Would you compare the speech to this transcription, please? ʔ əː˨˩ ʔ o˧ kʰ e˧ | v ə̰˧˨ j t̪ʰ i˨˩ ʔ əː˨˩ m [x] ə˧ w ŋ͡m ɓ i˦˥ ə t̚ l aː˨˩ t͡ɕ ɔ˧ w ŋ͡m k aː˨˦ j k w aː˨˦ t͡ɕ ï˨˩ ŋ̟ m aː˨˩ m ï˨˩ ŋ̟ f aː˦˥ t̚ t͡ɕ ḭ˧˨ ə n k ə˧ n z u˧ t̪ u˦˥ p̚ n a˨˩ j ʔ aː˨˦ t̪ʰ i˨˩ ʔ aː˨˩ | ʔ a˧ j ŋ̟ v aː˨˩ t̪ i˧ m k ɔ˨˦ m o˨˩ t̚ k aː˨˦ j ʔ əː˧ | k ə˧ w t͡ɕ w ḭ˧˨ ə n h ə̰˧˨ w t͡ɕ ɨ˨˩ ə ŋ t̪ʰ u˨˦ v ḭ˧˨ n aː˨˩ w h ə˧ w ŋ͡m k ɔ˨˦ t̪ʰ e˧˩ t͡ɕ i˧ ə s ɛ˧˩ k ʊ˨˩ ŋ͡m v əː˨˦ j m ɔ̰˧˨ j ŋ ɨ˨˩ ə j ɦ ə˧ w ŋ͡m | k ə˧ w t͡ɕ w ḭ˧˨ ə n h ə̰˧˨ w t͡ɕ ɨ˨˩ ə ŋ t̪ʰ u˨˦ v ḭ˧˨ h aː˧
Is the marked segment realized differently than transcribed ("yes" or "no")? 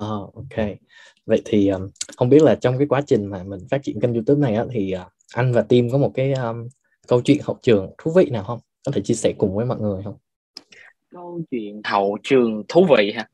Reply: yes